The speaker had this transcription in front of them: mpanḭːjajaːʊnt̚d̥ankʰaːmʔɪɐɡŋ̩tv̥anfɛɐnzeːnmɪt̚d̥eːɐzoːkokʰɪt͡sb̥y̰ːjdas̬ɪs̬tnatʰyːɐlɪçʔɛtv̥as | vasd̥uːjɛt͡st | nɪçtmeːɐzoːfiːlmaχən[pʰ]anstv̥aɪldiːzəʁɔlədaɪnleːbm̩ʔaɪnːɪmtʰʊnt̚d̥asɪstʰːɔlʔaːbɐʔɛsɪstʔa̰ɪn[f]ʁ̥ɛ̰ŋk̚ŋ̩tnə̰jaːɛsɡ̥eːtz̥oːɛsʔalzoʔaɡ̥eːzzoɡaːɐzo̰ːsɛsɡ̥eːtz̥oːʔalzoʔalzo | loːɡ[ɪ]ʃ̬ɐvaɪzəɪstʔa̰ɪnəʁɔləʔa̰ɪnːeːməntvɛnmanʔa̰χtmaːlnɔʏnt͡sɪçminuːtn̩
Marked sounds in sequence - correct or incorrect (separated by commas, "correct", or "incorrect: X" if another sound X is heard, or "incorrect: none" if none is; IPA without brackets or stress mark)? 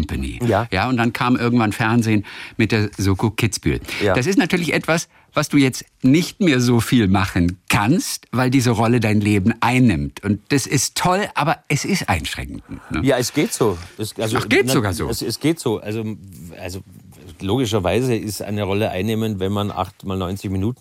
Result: incorrect: kʰ, incorrect: ʃ, correct